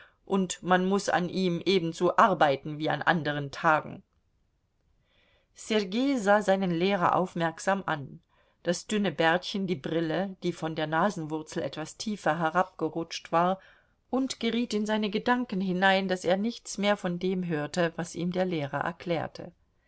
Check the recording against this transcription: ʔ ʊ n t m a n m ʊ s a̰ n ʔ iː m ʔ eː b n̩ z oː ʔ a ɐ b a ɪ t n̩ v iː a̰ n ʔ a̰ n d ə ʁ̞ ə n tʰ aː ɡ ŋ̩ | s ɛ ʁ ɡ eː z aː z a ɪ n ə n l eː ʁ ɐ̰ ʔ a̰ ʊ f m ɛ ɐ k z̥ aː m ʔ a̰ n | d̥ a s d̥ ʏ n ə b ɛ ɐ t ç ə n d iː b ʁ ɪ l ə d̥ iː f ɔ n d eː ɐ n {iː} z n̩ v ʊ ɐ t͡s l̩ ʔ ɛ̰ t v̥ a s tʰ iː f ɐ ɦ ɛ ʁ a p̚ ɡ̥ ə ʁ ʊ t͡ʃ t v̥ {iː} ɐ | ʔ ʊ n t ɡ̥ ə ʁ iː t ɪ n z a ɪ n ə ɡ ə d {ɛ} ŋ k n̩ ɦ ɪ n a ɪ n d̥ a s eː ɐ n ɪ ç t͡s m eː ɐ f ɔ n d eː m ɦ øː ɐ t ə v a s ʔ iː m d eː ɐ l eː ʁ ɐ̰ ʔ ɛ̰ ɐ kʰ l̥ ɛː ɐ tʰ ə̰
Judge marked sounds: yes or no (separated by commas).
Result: no, no, no